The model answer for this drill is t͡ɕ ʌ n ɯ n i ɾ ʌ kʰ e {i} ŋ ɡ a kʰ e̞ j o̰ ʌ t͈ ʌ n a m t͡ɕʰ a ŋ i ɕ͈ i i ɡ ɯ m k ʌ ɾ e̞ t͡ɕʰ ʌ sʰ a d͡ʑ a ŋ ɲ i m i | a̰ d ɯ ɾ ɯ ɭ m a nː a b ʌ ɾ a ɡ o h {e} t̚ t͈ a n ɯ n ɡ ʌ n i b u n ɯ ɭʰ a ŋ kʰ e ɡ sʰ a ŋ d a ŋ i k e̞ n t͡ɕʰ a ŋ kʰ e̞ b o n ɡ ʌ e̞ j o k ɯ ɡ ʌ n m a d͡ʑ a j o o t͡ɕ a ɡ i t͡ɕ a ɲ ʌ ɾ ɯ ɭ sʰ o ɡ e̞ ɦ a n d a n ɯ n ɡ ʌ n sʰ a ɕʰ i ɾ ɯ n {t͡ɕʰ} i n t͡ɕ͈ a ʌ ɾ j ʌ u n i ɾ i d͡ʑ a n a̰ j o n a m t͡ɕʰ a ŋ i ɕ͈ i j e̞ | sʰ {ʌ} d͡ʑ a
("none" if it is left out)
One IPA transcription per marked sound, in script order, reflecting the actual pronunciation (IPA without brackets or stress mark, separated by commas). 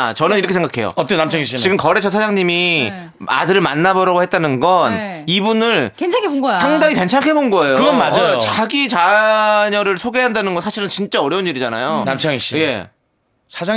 e, e, t͡ɕ, a